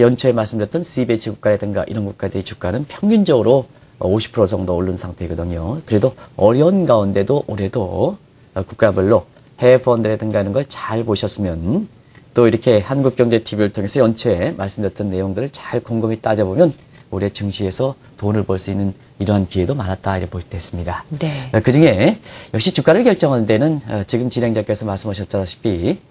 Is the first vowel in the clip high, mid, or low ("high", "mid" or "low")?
mid